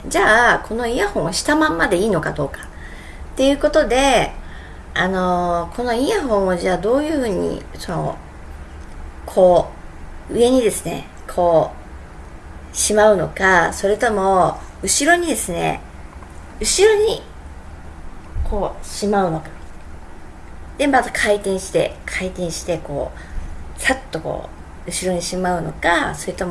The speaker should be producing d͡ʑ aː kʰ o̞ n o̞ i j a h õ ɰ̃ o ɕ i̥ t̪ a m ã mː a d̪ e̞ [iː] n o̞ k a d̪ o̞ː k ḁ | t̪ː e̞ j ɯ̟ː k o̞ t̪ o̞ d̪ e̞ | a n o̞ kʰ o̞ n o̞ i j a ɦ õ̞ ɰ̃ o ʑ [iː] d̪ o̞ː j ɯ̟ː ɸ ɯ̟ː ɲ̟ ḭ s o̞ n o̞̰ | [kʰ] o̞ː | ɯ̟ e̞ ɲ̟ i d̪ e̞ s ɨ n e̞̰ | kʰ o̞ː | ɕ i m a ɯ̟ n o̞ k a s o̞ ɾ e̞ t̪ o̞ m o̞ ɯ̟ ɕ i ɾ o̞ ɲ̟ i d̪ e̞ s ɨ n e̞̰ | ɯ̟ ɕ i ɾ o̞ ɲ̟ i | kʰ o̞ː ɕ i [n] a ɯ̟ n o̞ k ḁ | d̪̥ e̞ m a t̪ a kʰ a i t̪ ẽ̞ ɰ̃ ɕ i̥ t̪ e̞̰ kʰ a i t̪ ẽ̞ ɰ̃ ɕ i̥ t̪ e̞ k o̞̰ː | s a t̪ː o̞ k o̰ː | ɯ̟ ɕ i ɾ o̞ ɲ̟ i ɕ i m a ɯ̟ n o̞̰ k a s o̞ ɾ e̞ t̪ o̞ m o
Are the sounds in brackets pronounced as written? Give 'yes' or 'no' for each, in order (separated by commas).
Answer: yes, no, yes, no